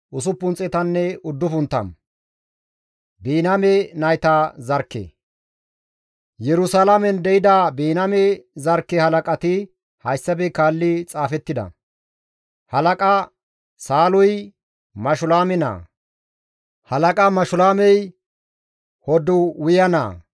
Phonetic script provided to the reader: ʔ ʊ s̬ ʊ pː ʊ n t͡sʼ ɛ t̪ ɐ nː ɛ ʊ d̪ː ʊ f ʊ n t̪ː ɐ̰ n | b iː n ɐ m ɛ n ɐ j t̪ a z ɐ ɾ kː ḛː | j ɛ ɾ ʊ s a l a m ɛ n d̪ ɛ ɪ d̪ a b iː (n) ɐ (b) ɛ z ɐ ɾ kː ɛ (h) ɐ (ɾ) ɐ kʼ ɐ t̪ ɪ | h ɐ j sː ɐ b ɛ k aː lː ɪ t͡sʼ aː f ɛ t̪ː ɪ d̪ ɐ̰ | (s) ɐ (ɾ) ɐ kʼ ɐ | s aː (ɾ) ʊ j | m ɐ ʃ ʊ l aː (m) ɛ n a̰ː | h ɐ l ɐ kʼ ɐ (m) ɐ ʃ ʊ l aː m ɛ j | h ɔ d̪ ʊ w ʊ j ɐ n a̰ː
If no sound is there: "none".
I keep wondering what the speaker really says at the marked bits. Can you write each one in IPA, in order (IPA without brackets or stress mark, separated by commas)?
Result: n, m, h, l, h, l, l, m, m